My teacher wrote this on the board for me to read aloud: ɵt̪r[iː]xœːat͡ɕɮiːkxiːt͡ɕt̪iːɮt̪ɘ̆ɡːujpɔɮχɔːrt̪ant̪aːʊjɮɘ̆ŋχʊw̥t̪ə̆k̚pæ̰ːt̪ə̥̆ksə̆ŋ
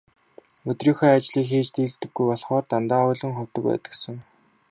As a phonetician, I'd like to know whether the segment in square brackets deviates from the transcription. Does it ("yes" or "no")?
no